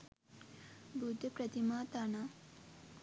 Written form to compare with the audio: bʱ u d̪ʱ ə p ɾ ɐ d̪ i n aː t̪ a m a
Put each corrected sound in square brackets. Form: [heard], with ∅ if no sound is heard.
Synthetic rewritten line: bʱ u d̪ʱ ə p ɾ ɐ [t̪] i [m] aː t̪ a [n] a

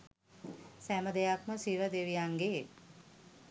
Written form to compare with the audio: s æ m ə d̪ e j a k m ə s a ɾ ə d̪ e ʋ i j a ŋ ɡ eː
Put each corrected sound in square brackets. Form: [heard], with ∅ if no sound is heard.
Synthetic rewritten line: s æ m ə d̪ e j a k m ə s [i] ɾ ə d̪ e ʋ i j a ŋ ɡ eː

